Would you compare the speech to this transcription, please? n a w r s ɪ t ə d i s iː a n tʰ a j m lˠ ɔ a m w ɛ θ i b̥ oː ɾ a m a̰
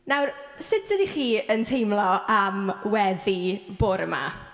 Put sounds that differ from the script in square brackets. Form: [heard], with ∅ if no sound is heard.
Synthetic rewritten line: n a w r s ɪ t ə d i [χ] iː [ə] n tʰ [e] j m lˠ ɔ a m w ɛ [ð] i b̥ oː ɾ [ə] m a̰